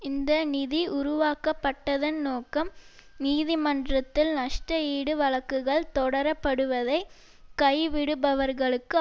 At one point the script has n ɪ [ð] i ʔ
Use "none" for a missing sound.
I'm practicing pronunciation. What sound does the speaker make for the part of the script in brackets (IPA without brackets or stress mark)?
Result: ð